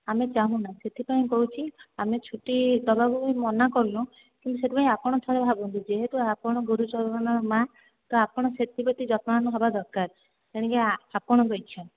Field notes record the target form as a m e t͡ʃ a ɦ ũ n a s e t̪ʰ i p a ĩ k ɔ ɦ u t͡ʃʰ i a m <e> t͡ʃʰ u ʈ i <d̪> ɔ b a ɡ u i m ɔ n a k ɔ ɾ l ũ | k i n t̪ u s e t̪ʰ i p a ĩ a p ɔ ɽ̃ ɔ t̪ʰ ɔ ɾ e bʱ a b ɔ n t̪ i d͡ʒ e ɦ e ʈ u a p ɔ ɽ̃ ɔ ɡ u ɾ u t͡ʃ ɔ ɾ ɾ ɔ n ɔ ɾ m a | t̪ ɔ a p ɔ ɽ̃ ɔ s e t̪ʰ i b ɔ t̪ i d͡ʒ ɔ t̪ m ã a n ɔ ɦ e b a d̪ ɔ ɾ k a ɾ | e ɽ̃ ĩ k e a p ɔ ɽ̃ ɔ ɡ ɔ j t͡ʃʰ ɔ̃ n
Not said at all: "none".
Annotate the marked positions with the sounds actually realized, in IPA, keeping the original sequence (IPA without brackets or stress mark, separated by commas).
e, d̪